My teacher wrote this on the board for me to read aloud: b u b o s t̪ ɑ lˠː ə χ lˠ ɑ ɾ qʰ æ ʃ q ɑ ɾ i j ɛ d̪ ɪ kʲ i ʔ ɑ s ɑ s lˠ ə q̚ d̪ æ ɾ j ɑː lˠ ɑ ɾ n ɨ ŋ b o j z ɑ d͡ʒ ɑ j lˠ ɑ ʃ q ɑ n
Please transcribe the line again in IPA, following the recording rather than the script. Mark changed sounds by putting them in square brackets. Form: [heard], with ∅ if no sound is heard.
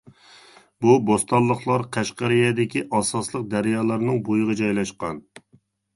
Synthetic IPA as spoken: b u b o s t̪ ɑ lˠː ə χ lˠ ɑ ɾ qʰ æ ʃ q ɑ ɾ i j ɛ d̪ ɪ kʲ i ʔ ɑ s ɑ s lˠ ə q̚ d̪ æ ɾ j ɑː lˠ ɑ ɾ n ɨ ŋ b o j [ʁ] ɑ d͡ʒ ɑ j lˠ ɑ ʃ q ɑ n